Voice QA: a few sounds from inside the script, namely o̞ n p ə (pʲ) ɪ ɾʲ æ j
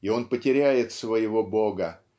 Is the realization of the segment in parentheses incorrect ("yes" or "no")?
yes